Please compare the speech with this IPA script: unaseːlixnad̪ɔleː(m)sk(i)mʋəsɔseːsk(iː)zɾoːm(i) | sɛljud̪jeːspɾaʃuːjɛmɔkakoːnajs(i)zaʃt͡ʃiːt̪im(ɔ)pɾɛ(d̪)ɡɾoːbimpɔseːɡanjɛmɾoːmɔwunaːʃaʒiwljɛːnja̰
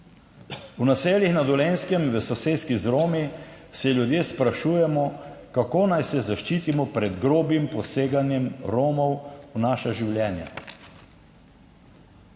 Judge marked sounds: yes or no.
no, no, no, yes, no, yes, yes

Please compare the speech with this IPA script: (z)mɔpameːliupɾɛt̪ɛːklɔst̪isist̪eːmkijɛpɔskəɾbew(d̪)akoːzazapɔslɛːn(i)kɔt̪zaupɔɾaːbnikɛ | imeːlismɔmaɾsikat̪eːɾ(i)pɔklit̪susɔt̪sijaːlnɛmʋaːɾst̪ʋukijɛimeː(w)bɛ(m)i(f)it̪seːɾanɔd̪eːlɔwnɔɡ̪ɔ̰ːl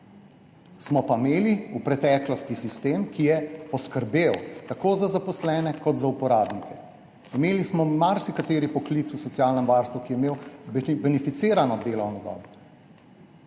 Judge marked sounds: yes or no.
no, no, no, yes, yes, no, yes

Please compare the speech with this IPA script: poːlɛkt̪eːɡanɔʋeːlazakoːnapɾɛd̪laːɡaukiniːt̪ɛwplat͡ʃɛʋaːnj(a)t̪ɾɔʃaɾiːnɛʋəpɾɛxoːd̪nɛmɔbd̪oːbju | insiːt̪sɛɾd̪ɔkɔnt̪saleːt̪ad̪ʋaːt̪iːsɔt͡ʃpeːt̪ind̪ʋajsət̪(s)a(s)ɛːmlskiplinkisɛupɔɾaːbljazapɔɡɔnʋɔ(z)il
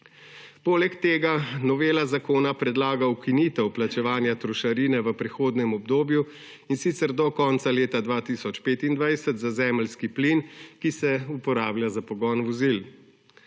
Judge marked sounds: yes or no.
yes, no, no, yes

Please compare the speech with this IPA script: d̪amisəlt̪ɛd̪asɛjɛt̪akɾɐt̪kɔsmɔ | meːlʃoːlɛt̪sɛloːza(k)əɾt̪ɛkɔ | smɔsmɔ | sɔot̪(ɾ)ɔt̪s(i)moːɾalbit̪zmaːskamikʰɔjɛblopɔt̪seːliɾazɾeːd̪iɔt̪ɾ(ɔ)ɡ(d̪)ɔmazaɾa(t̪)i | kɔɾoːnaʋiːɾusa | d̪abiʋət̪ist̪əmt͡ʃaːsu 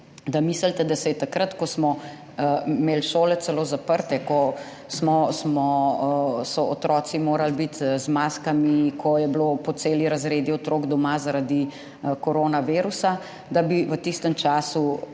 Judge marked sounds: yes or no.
no, yes, yes, no, yes, no

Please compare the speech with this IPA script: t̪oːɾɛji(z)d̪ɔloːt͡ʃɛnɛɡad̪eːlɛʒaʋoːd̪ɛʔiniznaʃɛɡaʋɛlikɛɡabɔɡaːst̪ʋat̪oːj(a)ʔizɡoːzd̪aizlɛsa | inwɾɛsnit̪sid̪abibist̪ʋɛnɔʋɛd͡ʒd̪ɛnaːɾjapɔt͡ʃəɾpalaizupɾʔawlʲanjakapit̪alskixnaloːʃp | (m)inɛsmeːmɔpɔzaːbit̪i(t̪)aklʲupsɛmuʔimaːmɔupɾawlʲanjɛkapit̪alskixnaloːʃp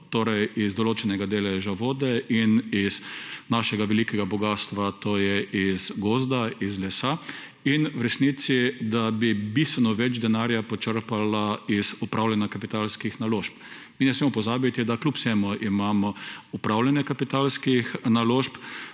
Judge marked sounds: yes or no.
yes, no, yes, no

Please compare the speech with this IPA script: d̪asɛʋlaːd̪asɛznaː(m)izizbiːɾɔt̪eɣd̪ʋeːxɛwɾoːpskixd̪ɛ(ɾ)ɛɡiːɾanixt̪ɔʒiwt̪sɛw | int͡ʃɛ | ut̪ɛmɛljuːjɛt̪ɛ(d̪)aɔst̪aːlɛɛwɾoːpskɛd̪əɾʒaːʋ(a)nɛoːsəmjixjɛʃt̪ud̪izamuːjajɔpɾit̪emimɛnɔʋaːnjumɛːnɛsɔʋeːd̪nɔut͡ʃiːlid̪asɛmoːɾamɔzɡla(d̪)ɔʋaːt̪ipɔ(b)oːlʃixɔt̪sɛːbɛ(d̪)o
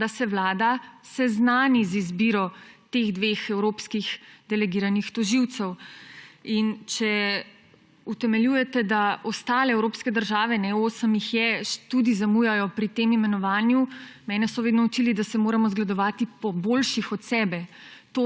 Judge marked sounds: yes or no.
no, no, yes, no, yes, yes, no

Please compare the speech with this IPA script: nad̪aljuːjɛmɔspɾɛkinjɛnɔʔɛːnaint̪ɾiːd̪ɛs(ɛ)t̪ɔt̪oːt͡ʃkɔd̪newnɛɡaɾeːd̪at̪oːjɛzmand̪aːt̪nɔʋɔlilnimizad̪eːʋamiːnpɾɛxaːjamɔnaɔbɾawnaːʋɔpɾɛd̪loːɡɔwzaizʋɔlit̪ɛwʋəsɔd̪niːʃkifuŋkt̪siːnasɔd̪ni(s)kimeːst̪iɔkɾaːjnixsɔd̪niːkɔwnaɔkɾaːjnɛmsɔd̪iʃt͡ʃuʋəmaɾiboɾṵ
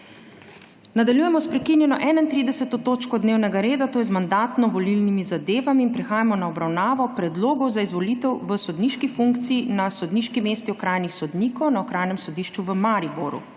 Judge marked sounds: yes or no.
yes, no

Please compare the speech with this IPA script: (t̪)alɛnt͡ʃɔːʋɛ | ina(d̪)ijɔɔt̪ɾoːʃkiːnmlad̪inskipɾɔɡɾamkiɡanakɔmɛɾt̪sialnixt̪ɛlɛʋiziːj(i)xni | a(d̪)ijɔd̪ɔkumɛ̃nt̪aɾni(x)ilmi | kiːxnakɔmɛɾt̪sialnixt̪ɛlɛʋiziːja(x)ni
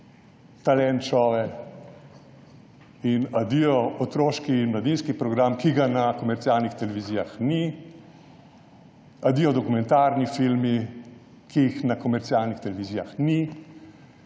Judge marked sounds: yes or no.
yes, yes, no, yes, no, yes

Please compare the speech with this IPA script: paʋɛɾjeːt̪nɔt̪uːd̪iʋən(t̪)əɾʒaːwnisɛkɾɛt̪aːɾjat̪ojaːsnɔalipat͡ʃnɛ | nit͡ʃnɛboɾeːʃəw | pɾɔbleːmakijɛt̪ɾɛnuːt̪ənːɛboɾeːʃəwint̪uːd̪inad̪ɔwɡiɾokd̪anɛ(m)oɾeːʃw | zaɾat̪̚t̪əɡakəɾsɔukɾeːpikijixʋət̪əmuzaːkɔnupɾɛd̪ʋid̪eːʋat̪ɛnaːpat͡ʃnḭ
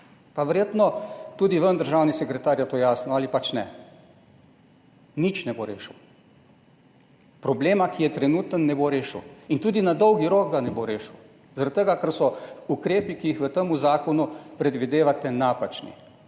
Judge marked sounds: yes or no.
no, no

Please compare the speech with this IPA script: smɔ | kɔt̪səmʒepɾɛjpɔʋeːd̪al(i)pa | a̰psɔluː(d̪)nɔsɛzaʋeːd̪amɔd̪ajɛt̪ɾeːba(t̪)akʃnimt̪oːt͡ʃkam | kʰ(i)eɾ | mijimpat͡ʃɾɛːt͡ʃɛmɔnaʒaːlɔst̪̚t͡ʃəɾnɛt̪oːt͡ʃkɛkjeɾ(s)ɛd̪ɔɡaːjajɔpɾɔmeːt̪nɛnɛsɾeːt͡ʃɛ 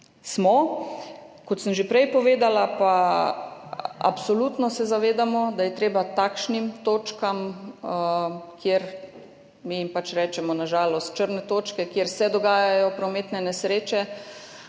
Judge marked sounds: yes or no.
no, no, yes, no, yes

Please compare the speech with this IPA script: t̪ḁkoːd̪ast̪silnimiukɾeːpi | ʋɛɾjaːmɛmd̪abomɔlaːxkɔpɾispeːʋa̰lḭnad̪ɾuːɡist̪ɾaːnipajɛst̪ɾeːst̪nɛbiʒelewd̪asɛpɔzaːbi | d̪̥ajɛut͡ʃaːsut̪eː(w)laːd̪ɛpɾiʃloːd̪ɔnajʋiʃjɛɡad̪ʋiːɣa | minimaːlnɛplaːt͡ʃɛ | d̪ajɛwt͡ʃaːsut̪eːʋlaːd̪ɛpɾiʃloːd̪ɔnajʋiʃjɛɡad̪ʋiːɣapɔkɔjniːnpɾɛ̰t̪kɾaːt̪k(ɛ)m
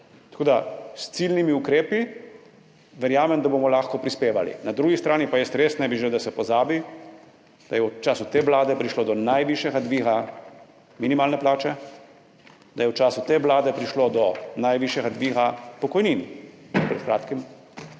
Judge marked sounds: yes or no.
no, no

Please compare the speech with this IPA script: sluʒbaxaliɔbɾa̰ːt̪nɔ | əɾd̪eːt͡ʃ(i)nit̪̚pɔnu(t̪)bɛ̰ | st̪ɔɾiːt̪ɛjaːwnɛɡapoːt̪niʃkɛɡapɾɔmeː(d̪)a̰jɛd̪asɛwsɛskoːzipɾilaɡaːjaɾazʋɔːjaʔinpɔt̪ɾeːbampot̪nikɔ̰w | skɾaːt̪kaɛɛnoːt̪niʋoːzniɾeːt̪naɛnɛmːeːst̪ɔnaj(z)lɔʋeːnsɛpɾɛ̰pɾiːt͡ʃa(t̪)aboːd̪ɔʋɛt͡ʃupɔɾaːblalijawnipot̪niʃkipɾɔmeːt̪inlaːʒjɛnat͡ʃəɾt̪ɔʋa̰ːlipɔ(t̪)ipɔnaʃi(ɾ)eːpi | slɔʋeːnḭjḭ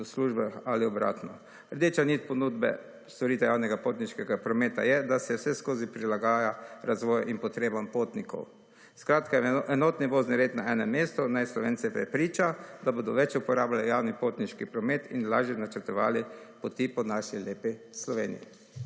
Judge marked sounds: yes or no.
no, no, no, no, no, yes, no

